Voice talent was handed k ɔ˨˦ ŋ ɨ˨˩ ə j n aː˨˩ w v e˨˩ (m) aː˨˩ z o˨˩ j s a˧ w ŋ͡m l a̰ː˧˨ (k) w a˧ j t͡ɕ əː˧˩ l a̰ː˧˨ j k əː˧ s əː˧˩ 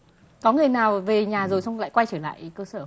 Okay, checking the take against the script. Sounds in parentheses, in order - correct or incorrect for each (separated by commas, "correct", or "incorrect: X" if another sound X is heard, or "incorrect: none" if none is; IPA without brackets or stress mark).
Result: incorrect: ɲ, correct